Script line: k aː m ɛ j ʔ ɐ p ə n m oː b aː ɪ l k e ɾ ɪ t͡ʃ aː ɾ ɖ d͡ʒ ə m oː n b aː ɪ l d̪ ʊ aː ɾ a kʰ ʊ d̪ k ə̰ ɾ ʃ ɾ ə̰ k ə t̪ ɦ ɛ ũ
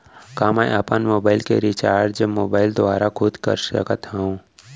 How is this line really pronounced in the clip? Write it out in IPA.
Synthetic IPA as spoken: k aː m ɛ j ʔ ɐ p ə n m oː b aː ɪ l k e ɾ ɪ t͡ʃ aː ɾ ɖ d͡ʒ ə m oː b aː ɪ l d̪ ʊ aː ɾ a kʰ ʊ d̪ k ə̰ ɾ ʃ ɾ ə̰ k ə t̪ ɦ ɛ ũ